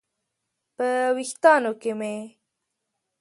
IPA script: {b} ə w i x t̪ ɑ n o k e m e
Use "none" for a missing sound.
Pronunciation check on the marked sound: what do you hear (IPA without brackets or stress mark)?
p